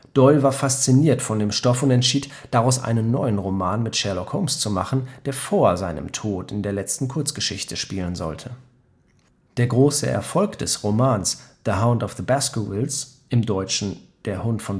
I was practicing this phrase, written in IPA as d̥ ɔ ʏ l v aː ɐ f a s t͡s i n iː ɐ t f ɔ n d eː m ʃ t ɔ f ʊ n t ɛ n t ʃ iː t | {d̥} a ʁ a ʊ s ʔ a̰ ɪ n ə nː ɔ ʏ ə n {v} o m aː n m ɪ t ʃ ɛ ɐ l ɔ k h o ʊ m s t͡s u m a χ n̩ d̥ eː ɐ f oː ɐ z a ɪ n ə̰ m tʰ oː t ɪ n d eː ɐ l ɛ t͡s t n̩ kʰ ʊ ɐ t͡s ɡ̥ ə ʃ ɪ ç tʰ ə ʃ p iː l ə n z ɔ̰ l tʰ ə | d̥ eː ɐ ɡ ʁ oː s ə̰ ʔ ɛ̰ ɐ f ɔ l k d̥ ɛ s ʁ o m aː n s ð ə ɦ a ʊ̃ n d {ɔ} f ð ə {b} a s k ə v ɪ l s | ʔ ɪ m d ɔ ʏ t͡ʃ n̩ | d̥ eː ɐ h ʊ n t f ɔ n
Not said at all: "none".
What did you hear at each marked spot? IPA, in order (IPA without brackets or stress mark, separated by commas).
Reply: d̥, ʁ, ɔ, b